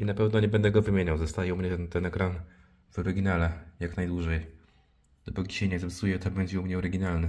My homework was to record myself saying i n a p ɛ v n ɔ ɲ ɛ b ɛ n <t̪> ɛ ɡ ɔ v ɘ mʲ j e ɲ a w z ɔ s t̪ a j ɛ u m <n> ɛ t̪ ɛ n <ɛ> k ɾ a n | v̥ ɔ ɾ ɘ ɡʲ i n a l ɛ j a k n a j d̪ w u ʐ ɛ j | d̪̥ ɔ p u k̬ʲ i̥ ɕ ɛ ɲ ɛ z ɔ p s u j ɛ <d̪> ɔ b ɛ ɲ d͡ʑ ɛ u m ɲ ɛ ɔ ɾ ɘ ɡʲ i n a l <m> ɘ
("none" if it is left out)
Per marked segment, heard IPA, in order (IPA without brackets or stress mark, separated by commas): d̪, ɲ, ɛ, t̪, n